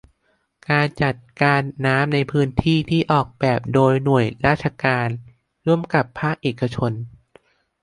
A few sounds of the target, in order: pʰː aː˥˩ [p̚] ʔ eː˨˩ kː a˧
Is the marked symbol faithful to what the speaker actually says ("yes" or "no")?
no